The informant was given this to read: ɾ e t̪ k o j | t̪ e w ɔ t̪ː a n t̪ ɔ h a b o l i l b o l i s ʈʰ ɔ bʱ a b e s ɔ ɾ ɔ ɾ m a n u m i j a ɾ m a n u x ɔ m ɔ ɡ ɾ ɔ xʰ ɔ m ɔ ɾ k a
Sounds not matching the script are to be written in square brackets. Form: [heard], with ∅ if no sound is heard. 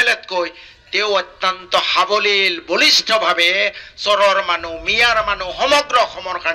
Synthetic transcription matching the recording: [l] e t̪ k o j | t̪ e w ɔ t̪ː a n t̪ ɔ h a b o l i l b o l i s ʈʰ ɔ bʱ a b e s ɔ ɾ ɔ ɾ m a n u m i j a ɾ m a n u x ɔ m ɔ ɡ ɾ ɔ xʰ ɔ m ɔ ɾ k a